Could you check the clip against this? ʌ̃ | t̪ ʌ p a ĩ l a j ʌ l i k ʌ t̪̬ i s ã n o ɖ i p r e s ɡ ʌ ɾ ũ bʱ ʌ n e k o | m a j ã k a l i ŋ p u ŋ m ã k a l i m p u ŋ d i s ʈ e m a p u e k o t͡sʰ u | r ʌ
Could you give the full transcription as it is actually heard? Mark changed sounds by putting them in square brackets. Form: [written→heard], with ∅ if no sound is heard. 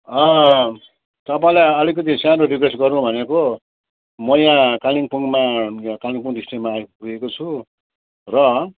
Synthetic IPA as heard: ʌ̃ | t̪ ʌ p a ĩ l a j ʌ l i k ʌ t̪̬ i s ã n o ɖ i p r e s ɡ ʌ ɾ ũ bʱ ʌ n e k o | m [a→ʌ] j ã k a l i ŋ p u ŋ m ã k a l i [m→ŋ] p u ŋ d i s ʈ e m a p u e k o t͡sʰ u | r ʌ